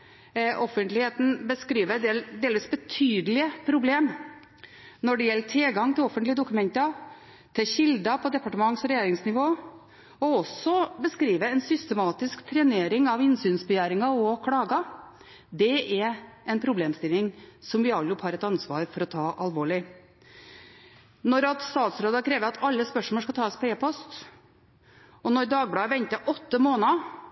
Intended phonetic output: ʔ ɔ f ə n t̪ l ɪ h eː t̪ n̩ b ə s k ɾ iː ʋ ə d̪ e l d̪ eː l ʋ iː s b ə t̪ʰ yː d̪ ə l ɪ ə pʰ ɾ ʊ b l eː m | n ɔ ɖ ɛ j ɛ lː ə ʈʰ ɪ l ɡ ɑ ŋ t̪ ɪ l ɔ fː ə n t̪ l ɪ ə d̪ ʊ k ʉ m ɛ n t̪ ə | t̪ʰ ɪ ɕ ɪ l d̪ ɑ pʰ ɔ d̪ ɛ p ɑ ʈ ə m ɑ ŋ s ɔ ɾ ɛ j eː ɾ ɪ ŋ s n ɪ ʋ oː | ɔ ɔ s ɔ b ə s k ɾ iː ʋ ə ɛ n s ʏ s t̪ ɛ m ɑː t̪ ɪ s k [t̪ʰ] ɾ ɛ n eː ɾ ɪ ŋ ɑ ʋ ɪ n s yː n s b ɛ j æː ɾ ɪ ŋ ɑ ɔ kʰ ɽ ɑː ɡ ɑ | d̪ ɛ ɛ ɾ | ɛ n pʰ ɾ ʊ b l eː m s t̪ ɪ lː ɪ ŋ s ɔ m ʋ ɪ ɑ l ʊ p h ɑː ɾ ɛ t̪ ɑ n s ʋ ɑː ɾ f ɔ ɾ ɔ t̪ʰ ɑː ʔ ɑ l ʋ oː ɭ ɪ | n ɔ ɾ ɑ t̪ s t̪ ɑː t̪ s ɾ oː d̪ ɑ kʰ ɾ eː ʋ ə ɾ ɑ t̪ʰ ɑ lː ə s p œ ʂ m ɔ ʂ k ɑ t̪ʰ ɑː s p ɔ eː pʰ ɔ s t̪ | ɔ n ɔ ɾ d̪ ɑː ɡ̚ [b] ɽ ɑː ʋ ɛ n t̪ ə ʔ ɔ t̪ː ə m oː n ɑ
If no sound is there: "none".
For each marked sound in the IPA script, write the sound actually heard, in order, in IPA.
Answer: t̪ʰ, b

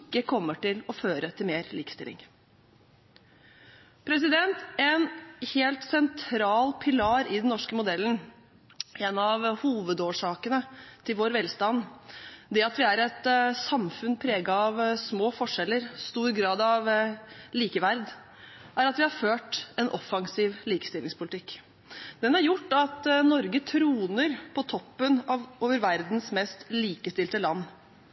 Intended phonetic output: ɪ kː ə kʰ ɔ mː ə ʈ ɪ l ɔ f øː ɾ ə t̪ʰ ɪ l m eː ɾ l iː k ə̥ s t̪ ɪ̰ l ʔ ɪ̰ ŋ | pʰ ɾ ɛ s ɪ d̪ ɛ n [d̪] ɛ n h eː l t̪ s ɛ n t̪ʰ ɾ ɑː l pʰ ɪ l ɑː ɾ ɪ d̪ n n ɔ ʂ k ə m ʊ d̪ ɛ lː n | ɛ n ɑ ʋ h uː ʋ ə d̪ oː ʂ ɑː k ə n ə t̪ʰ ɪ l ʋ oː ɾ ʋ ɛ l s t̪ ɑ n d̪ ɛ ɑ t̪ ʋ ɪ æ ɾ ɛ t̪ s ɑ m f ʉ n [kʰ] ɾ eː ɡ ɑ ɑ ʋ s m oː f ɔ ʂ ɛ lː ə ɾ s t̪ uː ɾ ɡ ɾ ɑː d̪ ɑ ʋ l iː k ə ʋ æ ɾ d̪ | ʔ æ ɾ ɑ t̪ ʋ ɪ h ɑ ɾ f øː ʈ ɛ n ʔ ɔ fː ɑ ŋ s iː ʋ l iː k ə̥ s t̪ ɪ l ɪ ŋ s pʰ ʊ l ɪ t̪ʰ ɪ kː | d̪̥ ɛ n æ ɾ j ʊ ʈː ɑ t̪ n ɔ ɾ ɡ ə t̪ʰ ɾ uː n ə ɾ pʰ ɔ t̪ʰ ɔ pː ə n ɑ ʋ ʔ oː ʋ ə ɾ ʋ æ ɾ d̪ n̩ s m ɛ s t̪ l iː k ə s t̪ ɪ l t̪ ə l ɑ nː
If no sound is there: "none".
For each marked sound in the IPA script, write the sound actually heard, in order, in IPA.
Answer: t̪, pʰ

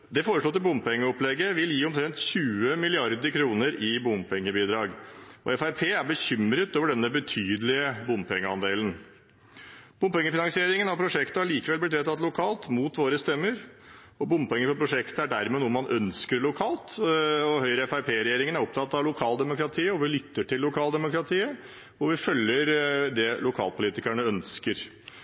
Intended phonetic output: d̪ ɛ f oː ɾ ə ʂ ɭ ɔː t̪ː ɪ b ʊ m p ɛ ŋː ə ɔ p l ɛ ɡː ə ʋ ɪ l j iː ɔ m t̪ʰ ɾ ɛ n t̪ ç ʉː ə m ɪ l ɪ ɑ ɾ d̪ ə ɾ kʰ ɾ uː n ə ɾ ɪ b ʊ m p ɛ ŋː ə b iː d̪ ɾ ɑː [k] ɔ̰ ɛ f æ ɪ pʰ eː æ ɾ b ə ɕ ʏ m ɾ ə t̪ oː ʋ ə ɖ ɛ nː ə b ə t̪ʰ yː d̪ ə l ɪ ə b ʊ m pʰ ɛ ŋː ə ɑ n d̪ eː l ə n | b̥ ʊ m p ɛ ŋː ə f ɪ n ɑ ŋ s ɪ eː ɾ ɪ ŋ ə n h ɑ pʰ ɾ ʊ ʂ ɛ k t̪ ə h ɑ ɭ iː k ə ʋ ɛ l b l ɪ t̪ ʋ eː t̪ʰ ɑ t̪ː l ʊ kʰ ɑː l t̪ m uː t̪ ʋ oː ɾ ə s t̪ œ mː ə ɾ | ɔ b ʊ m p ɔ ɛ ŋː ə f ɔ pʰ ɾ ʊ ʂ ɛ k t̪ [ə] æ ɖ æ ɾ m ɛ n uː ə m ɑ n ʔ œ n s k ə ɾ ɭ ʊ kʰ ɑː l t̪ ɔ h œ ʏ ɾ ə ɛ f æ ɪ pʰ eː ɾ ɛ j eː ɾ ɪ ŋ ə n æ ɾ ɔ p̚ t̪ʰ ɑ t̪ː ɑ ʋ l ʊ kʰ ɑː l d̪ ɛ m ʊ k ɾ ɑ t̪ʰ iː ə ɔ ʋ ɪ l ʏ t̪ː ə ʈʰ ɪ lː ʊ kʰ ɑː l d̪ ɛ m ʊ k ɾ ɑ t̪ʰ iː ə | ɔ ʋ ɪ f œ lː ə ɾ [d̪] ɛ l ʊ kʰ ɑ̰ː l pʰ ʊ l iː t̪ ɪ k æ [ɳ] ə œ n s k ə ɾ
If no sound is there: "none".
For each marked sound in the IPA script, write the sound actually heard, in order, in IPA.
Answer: ɡ, ə, d̪, ɳ

